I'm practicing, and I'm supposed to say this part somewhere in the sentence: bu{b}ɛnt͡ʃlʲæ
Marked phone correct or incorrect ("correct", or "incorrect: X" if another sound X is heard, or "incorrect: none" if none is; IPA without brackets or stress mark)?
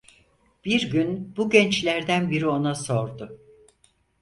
incorrect: ɟ